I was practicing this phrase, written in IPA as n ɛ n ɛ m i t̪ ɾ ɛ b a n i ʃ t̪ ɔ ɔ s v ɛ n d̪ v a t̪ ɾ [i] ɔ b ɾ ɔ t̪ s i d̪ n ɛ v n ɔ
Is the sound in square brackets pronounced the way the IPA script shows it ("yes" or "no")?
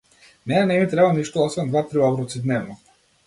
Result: yes